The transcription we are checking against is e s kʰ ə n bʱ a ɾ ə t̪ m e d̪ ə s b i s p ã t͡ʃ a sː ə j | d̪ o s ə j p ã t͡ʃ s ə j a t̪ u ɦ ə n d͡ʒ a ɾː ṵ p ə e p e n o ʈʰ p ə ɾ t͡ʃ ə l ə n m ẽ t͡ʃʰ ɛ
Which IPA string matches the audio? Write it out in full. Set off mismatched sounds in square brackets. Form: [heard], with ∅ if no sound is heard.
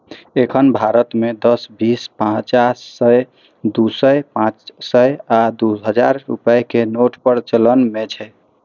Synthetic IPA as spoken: e [∅] kʰ ə n bʱ a ɾ ə t̪ m e d̪ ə s b i s p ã t͡ʃ a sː ə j | d̪ [u] s ə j p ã t͡ʃ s ə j a [d̪] u ɦ ə [∅] d͡ʒ a ɾː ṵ p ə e [k] e n o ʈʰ p ə ɾ t͡ʃ ə l ə n m [e] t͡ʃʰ ɛ